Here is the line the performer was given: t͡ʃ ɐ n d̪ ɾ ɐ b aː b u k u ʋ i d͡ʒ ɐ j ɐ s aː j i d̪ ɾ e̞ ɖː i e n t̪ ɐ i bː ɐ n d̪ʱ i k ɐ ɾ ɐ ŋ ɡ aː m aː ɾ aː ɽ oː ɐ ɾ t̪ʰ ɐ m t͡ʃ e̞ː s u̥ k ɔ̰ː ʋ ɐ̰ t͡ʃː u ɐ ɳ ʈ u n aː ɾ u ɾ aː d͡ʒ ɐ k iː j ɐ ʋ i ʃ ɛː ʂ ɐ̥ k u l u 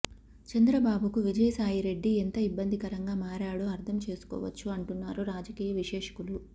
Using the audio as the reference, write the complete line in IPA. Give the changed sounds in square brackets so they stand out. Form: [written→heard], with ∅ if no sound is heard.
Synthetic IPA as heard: t͡ʃ ɐ n d̪ ɾ ɐ b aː b u k u ʋ i d͡ʒ ɐ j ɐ s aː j i [d̪→∅] ɾ e̞ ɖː i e n t̪ ɐ i bː ɐ n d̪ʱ i k ɐ ɾ ɐ ŋ ɡ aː m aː ɾ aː ɽ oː ɐ ɾ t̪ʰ ɐ m t͡ʃ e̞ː s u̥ k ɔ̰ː ʋ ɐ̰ t͡ʃː u ɐ ɳ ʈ u [n→nː] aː ɾ u ɾ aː d͡ʒ ɐ k iː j ɐ ʋ i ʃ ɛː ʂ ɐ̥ k u l u